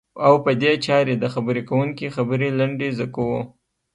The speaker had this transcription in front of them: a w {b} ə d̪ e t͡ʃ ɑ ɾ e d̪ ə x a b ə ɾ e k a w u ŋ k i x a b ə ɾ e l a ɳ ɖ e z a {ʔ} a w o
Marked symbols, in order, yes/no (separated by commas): no, no